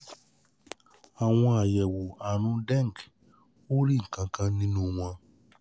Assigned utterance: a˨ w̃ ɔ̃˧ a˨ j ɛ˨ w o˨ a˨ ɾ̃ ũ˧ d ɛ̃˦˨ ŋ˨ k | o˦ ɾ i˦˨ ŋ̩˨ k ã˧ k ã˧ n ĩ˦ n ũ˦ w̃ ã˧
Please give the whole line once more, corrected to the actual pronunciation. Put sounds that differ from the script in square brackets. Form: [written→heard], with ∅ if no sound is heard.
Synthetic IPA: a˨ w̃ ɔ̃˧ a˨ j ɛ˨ w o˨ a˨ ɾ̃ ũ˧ d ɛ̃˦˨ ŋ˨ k | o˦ ɾ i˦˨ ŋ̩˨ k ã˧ k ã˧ n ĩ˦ n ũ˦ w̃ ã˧